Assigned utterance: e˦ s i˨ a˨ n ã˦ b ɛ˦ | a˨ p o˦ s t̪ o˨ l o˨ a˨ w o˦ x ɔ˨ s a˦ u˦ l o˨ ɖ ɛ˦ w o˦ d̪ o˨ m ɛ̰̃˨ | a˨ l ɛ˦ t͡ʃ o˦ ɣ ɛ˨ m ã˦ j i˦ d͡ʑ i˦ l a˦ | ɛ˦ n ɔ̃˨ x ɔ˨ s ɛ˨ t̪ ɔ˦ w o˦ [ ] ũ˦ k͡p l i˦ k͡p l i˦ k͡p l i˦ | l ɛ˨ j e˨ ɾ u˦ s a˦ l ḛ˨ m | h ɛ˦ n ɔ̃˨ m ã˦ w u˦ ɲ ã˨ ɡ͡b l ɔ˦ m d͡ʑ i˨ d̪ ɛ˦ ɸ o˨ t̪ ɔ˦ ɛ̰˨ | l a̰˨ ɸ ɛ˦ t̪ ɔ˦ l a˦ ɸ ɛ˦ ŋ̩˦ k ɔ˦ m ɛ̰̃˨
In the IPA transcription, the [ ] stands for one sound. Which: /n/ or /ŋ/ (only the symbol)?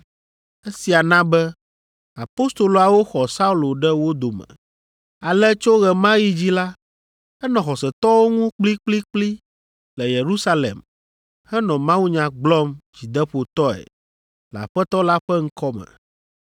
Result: ŋ